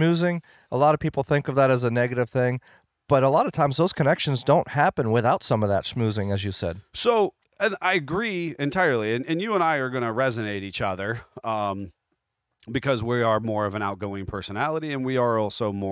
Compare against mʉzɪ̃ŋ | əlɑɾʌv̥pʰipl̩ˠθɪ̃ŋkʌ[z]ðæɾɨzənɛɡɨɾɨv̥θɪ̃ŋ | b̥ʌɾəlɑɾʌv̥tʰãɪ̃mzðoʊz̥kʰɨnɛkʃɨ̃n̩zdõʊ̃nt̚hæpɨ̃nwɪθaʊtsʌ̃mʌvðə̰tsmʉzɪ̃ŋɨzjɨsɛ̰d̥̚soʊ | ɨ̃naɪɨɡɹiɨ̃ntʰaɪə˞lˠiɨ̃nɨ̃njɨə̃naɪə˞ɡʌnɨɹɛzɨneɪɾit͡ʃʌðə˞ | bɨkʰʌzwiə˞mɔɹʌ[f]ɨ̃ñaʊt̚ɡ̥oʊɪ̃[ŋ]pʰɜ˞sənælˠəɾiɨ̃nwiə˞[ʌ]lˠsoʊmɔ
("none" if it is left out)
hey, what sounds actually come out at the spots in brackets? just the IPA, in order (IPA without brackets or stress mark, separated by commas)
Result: v, v, ŋ, ɔ